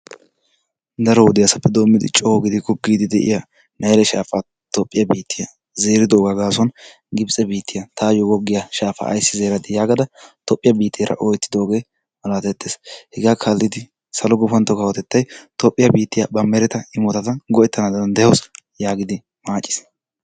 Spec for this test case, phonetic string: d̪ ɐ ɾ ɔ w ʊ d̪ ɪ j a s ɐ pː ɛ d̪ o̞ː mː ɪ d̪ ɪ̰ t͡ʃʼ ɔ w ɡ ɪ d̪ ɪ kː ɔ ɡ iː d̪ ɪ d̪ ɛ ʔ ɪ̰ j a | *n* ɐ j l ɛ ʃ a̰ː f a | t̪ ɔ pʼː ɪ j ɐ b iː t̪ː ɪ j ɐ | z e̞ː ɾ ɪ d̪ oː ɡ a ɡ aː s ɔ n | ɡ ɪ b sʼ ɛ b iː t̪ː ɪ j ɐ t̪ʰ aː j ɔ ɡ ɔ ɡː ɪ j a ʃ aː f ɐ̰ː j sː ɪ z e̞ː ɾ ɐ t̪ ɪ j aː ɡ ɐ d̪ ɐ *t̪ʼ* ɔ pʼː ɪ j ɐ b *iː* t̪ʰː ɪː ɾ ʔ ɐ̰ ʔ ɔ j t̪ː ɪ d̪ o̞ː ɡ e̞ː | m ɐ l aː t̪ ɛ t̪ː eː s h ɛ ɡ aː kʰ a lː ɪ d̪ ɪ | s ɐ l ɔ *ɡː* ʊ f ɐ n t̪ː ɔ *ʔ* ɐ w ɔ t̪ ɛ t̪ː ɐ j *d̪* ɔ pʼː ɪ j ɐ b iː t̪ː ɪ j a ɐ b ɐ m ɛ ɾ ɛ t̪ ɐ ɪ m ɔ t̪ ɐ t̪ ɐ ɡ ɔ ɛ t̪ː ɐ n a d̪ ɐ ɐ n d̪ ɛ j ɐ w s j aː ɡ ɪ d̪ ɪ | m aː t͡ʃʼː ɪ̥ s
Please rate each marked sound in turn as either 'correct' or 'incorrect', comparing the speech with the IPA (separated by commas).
correct, incorrect, correct, incorrect, incorrect, incorrect